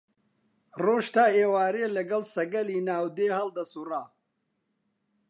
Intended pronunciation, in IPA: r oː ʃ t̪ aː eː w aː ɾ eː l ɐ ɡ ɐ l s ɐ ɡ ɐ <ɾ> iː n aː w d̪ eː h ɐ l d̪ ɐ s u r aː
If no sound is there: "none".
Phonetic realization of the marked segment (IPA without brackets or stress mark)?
l